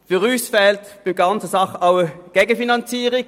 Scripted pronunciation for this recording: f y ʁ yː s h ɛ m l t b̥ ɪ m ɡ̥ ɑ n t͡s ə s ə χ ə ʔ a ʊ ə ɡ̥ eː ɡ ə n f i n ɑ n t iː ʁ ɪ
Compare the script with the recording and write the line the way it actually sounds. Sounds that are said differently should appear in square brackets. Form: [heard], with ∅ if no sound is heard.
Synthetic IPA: f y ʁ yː s [f] ɛ [∅] l t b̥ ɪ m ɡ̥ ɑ n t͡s ə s [ɑ] χ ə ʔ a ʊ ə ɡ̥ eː ɡ ə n f i n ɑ n [t͡s] iː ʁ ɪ